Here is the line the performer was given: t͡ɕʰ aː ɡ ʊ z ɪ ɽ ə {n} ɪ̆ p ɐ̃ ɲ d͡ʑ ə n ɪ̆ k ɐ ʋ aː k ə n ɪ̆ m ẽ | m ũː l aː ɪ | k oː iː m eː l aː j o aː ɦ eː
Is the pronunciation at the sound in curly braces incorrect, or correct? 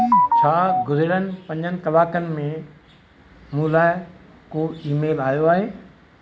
correct